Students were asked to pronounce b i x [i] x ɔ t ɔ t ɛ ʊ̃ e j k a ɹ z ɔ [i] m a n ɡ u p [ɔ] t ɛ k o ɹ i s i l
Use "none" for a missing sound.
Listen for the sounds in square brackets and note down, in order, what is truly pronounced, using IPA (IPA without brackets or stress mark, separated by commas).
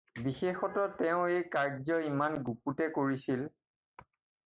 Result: e, i, u